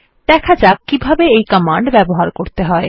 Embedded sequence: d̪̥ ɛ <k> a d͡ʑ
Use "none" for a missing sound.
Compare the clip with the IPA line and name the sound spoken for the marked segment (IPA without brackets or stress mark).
kʰ